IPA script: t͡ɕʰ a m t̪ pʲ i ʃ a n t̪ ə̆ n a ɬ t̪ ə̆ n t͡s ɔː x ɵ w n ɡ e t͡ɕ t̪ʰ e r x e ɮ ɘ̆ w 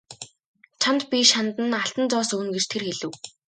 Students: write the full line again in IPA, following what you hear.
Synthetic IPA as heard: t͡ɕʰ a n t̪ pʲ i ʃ a n t̪ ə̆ n a ɬ t̪ ə̆ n t͡s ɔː s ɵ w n ɡ e t͡ɕ t̪ʰ e r x e ɮ ɘ̆ w